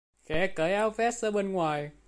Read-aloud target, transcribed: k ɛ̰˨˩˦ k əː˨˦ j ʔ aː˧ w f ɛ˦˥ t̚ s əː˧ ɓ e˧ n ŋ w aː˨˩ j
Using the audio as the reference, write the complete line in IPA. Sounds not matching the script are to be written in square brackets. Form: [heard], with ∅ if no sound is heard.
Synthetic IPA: [x] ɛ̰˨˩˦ k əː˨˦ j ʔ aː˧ w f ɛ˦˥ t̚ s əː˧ ɓ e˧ n ŋ w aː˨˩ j